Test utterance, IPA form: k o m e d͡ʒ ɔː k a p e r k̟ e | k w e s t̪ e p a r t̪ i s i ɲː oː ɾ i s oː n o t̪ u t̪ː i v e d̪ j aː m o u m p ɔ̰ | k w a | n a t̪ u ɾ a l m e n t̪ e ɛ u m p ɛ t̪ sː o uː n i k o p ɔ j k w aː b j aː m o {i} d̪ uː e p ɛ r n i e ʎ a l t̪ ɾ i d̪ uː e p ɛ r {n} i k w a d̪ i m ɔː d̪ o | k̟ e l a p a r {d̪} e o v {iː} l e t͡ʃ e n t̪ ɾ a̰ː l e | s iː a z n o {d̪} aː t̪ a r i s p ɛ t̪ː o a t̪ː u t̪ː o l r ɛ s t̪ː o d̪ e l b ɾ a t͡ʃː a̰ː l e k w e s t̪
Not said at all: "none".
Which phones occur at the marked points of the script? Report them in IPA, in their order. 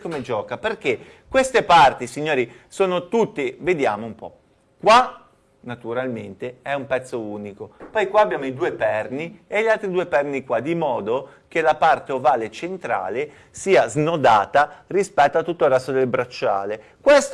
i, n, t̪, aː, d̪

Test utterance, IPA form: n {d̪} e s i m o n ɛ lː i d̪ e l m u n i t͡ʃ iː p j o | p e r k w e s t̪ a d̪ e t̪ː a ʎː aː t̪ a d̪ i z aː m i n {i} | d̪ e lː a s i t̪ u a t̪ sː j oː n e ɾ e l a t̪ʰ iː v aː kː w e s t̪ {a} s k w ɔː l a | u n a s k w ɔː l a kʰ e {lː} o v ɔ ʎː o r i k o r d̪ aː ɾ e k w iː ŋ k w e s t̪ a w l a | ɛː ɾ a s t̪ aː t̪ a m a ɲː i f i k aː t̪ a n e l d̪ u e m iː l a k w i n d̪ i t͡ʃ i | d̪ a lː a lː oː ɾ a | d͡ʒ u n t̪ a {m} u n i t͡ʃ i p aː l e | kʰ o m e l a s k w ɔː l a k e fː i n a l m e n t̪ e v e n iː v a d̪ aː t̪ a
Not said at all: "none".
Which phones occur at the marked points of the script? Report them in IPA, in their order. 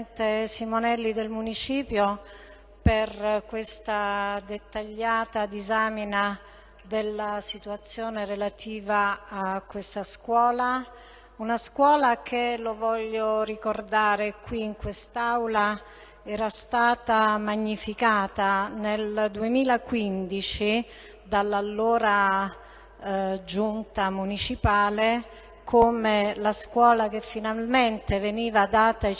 t̪, a, a, l, m

